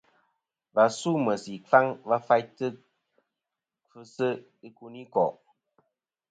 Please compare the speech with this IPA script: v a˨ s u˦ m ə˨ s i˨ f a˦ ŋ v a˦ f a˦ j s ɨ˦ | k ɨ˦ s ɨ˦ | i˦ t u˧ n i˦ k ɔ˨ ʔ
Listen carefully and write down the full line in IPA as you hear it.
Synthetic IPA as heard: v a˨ s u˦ m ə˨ s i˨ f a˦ ŋ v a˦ f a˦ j t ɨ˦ | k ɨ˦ s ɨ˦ | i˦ k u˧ n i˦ k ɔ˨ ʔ

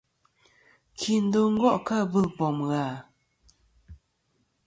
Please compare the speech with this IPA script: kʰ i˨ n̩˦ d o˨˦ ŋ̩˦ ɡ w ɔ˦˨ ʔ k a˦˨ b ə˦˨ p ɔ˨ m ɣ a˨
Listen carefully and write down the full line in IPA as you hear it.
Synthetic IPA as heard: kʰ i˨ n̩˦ d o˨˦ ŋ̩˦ ɡ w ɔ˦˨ ʔ k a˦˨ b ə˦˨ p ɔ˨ m ɣ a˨

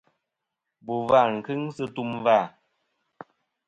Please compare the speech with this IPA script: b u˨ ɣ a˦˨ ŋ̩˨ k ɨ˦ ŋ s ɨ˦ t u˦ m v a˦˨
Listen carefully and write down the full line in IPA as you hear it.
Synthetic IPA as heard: b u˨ v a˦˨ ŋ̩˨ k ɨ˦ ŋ s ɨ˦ t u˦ m v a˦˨

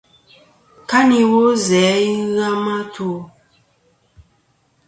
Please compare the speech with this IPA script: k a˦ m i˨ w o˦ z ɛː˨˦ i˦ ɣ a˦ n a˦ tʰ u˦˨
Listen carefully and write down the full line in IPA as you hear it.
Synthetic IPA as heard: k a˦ n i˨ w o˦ z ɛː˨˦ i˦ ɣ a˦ m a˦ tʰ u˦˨

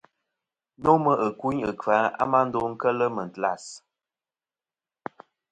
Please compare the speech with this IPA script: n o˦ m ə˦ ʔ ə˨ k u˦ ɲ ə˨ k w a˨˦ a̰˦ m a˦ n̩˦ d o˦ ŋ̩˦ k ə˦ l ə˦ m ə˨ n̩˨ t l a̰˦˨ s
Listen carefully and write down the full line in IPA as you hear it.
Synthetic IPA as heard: n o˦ m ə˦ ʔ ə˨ k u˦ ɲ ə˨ k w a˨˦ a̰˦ m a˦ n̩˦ d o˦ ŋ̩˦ k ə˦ l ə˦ m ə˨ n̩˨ t l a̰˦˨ s

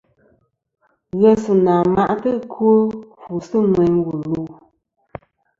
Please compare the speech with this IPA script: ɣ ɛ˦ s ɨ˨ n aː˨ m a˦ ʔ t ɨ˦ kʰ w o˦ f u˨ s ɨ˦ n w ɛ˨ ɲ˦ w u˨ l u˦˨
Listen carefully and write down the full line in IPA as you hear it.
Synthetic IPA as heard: ɣ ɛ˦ s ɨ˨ n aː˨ m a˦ ʔ t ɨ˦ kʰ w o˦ f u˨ s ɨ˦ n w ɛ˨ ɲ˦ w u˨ l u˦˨

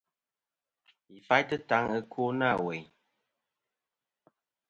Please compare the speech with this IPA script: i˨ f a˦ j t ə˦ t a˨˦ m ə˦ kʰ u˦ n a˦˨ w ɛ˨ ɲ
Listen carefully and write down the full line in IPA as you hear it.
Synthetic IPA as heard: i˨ f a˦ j t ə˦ t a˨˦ ŋ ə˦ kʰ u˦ n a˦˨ w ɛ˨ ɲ

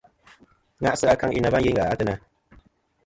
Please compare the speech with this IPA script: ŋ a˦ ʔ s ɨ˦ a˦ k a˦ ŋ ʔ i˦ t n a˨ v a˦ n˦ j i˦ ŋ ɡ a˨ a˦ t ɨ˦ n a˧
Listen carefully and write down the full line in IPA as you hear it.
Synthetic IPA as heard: ŋ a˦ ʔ s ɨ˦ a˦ k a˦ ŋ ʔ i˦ n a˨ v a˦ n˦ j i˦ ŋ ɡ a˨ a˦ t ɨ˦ n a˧

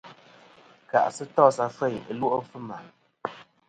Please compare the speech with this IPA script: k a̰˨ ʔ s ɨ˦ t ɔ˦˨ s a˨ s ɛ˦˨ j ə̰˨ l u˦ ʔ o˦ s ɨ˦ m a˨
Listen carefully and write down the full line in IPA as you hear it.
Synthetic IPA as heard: k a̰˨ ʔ s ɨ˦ t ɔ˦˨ s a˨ f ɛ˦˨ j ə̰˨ l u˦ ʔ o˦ f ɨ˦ m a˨

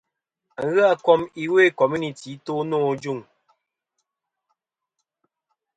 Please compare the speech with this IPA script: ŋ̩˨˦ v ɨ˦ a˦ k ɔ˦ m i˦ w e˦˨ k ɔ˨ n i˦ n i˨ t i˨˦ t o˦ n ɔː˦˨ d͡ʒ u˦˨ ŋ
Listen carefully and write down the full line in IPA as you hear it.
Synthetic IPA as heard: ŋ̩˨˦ ɣ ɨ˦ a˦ k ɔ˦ m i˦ w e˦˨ k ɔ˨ m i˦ n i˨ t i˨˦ t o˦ n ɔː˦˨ d͡ʒ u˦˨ ŋ

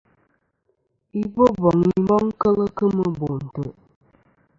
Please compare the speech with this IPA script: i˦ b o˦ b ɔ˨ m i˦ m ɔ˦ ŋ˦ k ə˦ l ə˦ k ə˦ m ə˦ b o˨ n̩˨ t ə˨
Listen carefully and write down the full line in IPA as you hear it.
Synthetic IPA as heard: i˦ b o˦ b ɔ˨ ŋ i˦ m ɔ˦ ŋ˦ k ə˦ l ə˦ k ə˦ m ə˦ b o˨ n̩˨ t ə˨

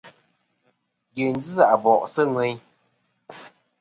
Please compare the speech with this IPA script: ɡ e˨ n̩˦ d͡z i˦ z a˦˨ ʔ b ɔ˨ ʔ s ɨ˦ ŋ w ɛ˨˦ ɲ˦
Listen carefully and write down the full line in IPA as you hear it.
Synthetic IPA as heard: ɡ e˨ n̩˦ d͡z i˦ z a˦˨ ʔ b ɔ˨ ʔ s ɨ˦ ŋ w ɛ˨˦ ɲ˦

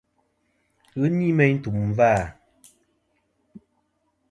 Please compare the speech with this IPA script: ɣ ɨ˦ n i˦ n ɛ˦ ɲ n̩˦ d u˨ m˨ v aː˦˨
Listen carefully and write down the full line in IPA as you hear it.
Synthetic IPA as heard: ɣ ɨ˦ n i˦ m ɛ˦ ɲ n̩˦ t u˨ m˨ v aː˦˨

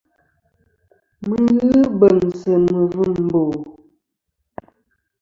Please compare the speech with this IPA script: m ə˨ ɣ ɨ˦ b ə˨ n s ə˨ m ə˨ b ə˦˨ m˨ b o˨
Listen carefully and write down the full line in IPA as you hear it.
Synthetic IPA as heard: m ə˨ ɣ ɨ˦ b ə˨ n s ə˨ m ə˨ v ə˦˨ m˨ b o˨

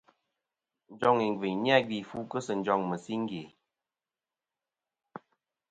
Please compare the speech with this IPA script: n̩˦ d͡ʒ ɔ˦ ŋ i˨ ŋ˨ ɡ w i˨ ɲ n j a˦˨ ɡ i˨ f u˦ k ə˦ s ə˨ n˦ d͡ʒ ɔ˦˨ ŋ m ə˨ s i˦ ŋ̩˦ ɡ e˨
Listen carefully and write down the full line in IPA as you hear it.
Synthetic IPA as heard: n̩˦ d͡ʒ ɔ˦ ŋ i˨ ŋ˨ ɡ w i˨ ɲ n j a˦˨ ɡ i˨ f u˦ k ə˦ s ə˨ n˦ d͡ʒ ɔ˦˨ ŋ m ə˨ s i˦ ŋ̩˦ ɡ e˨

